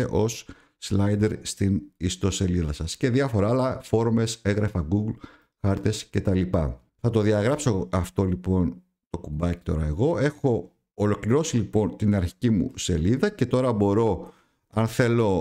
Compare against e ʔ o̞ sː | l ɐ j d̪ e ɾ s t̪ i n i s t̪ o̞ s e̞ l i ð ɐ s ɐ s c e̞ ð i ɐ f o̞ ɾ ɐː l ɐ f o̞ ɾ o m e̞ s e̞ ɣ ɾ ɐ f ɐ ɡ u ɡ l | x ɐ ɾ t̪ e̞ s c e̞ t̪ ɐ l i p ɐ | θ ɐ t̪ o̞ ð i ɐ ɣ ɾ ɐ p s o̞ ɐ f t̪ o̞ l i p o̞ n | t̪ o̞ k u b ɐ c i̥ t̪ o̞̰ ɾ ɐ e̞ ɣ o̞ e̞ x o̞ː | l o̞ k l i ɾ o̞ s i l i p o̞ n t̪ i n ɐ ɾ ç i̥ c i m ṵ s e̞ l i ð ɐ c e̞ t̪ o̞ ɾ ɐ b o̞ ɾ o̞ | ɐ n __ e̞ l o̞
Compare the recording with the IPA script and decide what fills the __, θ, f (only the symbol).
θ